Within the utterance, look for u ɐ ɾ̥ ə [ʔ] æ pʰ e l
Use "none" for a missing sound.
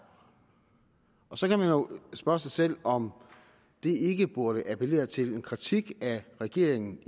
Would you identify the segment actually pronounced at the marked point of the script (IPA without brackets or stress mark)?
ʔ